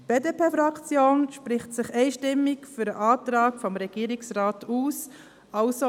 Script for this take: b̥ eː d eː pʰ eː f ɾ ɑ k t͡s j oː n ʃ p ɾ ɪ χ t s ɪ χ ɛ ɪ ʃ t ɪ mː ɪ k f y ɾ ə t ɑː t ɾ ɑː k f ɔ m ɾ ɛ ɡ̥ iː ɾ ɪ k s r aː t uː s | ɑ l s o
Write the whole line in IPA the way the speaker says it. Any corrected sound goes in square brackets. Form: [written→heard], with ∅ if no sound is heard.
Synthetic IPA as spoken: b̥ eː d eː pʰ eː f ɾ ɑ k t͡s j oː n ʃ p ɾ ɪ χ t s ɪ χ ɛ ɪ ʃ t ɪ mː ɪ k f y ɾ ə [t→ʔ] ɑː t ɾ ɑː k f ɔ m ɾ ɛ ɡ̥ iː ɾ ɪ k s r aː t uː s | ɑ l s o